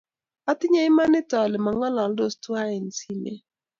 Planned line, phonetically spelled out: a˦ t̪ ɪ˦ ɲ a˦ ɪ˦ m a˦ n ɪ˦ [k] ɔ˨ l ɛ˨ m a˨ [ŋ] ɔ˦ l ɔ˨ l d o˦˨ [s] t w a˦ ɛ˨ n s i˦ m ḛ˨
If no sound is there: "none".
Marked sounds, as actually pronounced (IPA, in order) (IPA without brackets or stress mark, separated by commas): t, ŋ, s